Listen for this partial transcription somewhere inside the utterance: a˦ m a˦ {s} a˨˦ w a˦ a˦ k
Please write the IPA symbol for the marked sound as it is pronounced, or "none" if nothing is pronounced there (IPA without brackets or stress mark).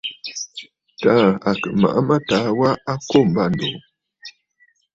t